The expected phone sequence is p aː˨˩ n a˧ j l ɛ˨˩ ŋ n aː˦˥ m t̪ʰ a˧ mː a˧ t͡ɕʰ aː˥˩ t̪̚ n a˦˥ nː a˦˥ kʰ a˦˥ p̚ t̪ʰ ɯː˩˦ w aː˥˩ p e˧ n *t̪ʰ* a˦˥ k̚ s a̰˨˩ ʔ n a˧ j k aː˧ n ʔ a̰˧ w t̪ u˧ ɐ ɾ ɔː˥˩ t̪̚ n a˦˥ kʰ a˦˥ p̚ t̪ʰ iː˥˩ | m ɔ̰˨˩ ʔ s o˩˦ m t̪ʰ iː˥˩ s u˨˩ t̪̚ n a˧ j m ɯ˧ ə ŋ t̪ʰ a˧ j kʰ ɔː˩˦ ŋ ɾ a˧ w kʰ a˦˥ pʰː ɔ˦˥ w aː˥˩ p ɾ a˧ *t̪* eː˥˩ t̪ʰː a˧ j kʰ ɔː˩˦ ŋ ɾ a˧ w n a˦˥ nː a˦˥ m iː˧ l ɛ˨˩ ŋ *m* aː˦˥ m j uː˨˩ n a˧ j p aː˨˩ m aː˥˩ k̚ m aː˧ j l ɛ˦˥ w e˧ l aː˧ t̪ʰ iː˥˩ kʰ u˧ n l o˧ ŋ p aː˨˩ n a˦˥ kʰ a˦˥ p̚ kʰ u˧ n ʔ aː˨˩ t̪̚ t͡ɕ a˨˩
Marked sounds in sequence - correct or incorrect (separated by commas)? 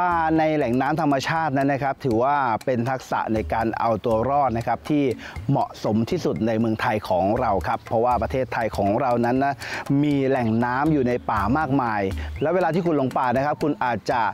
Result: correct, incorrect, incorrect